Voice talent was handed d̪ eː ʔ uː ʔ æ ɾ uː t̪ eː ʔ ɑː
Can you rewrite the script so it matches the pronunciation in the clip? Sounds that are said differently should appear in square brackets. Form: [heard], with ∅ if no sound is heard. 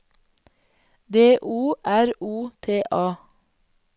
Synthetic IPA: d̪ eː ʔ uː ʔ æ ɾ uː [t̪ʰ] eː ʔ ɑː